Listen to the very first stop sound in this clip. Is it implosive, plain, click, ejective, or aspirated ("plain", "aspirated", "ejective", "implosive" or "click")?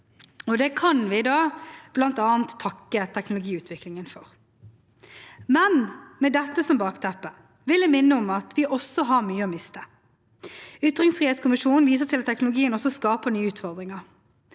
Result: plain